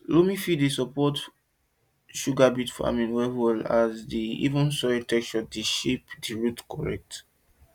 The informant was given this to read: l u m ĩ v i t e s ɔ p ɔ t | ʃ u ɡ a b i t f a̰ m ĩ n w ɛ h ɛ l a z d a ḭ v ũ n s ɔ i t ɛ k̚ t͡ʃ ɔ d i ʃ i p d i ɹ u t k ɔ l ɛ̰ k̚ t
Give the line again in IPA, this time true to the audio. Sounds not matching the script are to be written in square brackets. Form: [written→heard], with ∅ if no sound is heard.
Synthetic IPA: l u m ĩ [v→f] i [t→d] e s ɔ p ɔ t | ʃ u ɡ a b i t f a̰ m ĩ n w ɛ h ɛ l a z d [a→i] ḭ v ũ n s ɔ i t ɛ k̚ t͡ʃ ɔ d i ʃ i p d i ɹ u t k ɔ [l→ɹ] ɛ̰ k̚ t